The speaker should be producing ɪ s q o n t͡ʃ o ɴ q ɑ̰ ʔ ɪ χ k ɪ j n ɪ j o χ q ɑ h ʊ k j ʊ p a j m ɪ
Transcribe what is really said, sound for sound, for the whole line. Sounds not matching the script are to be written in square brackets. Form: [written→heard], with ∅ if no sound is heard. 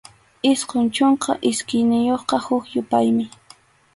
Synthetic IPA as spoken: ɪ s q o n t͡ʃ o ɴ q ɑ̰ ʔ ɪ [χ→s] k ɪ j n ɪ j o χ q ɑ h ʊ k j ʊ p a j m ɪ